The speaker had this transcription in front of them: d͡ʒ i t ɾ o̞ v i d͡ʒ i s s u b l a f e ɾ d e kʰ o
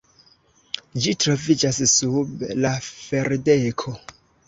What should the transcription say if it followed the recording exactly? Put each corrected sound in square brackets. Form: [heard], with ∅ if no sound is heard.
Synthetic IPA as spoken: d͡ʒ i t ɾ o̞ v i d͡ʒ [a] s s u b l a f e ɾ d e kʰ o